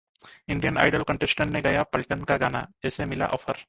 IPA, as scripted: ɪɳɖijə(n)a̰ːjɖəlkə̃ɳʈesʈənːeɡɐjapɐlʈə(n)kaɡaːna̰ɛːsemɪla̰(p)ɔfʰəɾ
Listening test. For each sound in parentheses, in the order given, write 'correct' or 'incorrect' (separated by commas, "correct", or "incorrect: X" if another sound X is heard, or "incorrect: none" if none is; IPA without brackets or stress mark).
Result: correct, correct, incorrect: ʔ